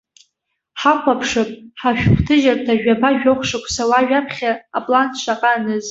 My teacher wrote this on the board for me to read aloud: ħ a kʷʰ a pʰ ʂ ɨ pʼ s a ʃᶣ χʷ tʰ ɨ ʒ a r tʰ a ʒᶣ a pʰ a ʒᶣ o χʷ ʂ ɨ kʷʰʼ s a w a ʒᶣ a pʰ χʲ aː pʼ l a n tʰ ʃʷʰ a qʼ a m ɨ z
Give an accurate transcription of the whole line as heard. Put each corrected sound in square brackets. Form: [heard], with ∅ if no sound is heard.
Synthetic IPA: ħ a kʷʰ a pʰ ʂ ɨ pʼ [ħ] a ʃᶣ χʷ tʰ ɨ ʒ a r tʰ a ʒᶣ a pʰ a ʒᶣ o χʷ ʂ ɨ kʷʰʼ s a w a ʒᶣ a pʰ χʲ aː pʼ l a n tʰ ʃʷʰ a qʼ a [n] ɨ z